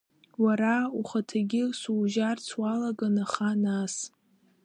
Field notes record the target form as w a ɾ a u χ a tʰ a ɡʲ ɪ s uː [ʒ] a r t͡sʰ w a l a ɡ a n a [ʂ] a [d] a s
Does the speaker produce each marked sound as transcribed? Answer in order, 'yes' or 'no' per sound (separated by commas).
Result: yes, no, no